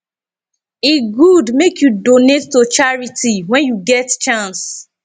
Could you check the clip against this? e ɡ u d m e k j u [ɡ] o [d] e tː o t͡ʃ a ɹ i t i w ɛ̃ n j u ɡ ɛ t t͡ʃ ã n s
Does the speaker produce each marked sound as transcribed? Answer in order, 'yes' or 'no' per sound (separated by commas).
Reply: no, no